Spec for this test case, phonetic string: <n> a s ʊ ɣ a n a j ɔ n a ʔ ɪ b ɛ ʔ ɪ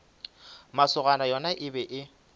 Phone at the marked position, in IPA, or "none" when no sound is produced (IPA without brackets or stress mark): m